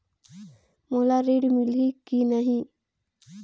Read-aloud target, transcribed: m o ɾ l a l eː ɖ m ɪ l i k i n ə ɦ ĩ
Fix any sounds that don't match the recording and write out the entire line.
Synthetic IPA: m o l a ɾ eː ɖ m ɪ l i k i n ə ɦ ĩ